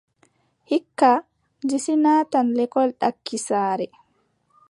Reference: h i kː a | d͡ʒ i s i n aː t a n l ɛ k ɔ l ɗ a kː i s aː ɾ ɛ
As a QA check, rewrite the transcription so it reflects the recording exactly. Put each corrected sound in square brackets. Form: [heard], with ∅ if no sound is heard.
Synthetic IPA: h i kː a | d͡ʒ i s i n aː t a n l ɛ k ɔ l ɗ a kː i s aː ɾ ɛ